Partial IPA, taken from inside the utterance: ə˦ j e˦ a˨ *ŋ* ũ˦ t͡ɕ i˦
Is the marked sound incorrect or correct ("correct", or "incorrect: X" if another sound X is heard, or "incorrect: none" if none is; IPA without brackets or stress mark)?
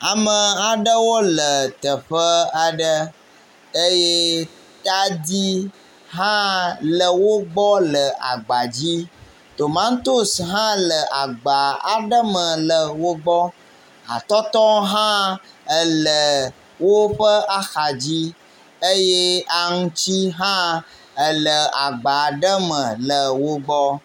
correct